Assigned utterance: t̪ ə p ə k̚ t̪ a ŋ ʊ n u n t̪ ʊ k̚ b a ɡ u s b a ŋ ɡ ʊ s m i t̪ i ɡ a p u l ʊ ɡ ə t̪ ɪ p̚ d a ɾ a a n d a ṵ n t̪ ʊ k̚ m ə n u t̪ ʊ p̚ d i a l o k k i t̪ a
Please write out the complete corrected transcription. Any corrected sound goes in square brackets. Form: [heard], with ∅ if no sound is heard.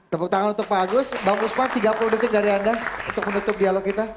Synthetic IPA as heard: t̪ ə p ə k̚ t̪ a ŋ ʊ n u n t̪ ʊ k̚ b a ɡ [ʊ] s b a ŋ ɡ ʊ s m [a] t̪ i ɡ a p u l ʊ [d] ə t̪ ɪ [k̚] d a ɾ [i] a n d a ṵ n t̪ ʊ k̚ m ə n u t̪ ʊ p̚ d i a l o k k i t̪ a